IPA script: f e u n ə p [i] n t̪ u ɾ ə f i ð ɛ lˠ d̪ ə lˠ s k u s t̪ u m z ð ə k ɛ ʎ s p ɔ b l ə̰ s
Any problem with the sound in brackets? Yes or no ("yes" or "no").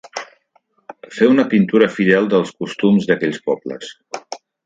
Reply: no